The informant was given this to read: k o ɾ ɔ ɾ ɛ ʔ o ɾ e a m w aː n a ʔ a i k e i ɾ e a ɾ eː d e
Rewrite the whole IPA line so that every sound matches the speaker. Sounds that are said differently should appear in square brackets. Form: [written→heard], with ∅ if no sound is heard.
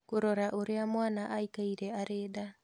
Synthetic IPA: k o ɾ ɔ ɾ [ɛ→a] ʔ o ɾ e a m w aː n a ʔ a i k [e→a] i ɾ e a ɾ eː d [e→a]